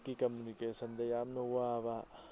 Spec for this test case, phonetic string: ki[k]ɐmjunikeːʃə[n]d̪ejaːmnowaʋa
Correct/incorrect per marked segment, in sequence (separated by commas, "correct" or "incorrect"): correct, correct